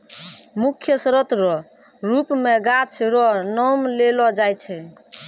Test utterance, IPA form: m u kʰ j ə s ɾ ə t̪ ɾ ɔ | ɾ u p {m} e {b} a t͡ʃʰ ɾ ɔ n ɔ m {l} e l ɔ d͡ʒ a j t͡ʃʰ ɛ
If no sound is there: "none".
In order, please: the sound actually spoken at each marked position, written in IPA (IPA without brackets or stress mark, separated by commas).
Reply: m, ɡ, l